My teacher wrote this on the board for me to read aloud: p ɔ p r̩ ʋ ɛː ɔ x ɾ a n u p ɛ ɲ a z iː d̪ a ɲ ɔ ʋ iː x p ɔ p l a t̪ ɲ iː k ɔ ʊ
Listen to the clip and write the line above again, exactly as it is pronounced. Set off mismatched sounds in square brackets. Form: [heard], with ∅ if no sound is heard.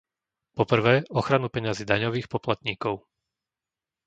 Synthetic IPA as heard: p ɔ p r̩ ʋ ɛː ɔ x ɾ a n u p ɛ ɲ a z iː d̪ a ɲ ɔ ʋ iː x p ɔ p l a t̪ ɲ iː k ɔ ʊ